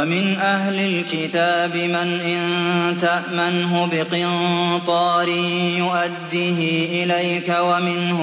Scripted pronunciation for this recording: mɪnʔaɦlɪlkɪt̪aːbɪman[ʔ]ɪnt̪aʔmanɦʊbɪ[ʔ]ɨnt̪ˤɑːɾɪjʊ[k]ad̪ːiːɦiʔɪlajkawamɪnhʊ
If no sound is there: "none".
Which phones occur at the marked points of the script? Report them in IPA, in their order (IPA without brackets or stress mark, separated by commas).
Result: ʔ, q, ʔ